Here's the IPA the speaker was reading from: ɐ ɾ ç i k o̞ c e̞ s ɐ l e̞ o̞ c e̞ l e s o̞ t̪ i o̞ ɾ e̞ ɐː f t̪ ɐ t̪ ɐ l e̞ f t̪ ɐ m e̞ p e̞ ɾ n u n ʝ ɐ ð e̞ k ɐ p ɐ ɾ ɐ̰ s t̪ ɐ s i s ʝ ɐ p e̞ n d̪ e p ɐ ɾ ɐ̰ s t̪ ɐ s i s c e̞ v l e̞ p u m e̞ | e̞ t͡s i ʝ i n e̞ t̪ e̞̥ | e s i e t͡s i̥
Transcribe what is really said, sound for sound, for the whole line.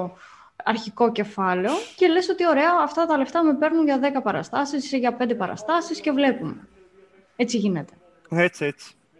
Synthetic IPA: ɐ ɾ ç i k o̞ c e̞ f ɐ l e̞ o̞ c e̞ l e s o̞ t̪ i o̞ ɾ e̞ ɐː f t̪ ɐ t̪ ɐ l e̞ f t̪ ɐ m e̞ p e̞ ɾ n u n ʝ ɐ ð e̞ k ɐ p ɐ ɾ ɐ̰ s t̪ ɐ s i s ʝ ɐ p e̞ n d̪ e p ɐ ɾ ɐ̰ s t̪ ɐ s i s c e̞ v l e̞ p u m e̞ | e̞ t͡s i ʝ i n e̞ t̪ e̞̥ | e t͡s i e t͡s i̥